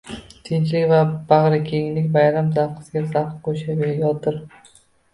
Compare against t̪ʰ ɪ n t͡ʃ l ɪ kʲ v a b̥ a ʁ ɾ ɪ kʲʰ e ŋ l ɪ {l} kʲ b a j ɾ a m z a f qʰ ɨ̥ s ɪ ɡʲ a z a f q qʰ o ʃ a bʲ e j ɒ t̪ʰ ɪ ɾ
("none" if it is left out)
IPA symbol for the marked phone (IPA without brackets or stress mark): none